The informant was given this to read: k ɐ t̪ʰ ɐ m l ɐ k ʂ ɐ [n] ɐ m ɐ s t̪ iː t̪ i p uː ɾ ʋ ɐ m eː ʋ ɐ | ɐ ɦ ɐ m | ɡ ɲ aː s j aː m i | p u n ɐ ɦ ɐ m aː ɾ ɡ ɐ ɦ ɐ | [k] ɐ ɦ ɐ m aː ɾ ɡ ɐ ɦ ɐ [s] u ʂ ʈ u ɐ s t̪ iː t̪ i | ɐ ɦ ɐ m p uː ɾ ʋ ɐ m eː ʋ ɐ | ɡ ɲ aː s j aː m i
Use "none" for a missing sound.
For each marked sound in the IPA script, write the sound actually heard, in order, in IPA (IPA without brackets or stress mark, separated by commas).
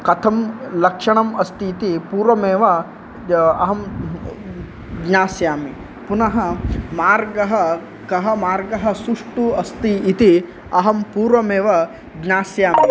ɳ, k, s